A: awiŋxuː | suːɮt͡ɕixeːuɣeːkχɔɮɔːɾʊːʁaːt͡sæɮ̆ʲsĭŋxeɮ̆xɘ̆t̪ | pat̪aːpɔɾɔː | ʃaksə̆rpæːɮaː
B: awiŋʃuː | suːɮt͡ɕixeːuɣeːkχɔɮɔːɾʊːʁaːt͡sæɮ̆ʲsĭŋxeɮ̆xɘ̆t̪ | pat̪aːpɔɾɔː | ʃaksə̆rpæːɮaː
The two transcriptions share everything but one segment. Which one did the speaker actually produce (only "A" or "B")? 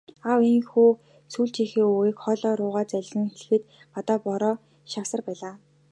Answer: A